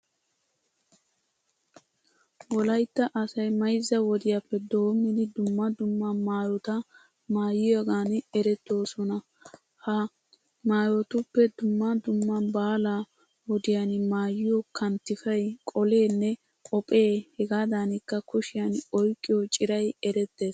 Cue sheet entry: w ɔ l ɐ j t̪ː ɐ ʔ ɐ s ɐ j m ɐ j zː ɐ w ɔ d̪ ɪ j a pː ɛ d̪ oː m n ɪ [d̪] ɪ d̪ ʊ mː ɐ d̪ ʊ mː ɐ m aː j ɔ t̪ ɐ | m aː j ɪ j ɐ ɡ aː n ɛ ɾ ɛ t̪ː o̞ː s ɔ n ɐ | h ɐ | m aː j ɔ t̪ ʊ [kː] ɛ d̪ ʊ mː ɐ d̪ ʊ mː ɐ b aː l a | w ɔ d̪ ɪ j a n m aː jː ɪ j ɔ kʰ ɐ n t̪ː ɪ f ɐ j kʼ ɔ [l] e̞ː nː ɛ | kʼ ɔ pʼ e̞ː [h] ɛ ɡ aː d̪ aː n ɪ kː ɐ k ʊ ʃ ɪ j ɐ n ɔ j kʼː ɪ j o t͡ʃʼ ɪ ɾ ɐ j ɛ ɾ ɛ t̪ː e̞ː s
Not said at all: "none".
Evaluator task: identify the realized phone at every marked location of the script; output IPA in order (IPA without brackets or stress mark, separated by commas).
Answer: d̪, pː, l, h